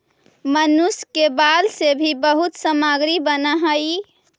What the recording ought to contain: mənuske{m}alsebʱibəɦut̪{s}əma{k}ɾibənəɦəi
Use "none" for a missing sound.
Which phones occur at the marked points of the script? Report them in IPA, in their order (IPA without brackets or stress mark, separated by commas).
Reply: b, s, ɡ